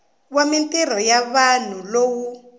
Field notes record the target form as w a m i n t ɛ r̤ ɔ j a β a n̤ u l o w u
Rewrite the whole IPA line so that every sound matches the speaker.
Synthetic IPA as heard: w a m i n t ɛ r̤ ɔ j a β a n̤ u l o w u